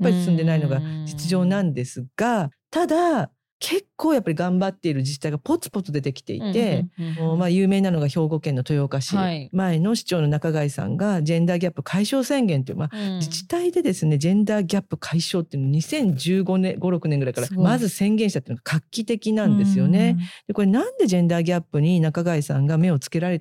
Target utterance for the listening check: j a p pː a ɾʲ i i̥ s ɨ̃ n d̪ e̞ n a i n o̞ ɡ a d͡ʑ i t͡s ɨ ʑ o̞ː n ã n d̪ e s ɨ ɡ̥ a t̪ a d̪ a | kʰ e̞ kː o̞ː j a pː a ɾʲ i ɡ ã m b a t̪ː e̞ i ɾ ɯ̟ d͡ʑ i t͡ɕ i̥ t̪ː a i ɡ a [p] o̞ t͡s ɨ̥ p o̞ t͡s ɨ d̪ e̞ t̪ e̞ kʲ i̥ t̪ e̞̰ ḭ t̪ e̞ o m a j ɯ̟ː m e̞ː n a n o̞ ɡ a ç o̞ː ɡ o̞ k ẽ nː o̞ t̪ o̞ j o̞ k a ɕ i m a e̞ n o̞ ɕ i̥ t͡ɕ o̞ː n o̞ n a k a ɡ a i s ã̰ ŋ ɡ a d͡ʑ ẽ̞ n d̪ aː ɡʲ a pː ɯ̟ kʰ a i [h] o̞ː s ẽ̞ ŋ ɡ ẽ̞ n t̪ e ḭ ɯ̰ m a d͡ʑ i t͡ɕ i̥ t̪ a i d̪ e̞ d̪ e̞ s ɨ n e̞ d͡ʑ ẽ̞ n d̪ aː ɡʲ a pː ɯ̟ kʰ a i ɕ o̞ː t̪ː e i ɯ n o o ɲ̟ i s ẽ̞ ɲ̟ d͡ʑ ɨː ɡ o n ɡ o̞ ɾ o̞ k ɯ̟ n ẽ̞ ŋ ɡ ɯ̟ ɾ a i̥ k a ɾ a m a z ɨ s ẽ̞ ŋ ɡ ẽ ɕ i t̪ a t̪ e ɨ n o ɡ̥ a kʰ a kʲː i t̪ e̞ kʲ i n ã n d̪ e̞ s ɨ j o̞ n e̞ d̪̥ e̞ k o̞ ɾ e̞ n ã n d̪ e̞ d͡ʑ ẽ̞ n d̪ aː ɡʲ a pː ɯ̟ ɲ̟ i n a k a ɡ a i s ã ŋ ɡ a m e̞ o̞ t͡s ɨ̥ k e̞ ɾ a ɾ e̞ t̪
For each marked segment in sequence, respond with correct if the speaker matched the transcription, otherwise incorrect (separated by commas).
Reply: correct, incorrect